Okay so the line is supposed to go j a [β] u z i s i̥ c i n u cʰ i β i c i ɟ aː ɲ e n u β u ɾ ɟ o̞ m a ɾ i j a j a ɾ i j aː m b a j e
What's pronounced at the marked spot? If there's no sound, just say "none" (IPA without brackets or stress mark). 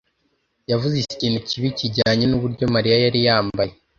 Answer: v